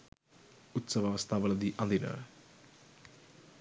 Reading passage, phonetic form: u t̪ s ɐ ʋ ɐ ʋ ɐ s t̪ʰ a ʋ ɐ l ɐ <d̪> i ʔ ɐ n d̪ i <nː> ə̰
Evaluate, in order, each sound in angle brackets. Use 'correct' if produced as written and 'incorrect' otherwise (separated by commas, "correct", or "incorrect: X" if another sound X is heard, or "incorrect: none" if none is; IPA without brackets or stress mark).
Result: correct, incorrect: n